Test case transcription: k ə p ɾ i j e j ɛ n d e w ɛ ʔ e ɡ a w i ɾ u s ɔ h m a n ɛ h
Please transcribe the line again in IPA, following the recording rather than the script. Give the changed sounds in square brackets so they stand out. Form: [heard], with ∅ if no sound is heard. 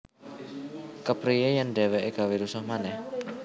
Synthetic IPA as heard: k ə p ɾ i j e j [a] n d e w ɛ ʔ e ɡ a w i ɾ u s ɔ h m a n ɛ h